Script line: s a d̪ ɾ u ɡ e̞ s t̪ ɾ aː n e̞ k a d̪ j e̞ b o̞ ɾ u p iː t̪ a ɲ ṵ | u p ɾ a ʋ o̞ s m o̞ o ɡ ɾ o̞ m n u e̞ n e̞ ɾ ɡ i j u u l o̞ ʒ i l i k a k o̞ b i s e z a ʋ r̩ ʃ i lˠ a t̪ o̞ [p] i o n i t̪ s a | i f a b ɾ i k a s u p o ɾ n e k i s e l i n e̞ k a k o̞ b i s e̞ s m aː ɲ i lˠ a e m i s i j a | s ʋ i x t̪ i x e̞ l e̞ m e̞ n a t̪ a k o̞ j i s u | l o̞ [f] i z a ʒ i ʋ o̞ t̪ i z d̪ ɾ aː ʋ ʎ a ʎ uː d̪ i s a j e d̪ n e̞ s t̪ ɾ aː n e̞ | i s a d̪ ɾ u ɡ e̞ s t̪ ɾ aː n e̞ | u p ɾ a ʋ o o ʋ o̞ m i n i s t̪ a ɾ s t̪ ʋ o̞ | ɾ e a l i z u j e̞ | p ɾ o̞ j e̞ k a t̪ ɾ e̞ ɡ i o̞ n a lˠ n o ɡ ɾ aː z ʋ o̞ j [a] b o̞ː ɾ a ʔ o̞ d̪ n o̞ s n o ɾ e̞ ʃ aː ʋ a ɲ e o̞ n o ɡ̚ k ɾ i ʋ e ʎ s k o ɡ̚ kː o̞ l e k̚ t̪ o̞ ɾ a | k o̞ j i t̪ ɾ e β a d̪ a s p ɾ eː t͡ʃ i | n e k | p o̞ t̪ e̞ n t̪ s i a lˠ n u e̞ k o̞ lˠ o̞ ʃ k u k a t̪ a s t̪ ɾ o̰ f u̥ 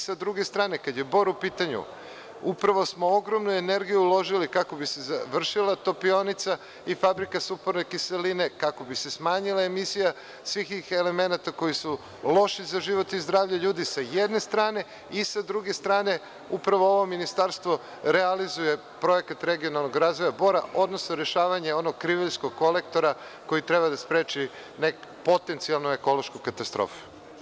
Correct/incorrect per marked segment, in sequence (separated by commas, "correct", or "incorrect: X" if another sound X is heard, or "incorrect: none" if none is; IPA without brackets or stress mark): correct, incorrect: ʃ, correct